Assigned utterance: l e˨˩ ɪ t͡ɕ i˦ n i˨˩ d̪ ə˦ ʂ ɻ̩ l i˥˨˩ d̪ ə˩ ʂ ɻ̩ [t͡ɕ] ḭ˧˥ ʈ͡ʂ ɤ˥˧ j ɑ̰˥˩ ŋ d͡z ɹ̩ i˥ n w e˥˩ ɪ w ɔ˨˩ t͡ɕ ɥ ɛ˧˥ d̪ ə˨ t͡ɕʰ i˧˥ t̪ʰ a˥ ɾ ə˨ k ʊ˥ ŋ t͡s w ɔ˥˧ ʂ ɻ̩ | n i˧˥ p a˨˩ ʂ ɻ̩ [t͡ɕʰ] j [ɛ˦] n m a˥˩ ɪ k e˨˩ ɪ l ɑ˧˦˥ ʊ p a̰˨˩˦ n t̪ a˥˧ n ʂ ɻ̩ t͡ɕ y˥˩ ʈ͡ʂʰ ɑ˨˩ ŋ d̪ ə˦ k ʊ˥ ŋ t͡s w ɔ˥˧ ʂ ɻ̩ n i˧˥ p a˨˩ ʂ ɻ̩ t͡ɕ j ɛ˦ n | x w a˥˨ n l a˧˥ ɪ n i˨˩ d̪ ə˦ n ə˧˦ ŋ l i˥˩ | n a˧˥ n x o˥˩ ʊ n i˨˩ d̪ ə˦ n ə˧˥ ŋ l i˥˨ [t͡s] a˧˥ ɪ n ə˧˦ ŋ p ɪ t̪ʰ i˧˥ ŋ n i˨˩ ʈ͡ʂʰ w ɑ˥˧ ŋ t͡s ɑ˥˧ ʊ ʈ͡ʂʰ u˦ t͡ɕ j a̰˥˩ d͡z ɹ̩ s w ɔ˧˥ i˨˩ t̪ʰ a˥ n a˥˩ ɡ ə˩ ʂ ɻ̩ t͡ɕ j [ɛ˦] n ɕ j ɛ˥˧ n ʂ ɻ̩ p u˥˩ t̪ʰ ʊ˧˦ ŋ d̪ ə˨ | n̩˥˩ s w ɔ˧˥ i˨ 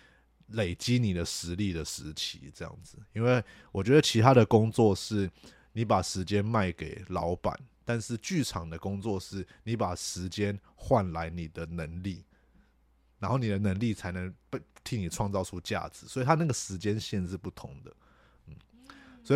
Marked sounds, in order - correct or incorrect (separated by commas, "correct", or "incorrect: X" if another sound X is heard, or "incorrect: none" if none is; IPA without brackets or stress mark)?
incorrect: t͡ɕʰ, incorrect: t͡ɕ, correct, incorrect: t͡sʰ, correct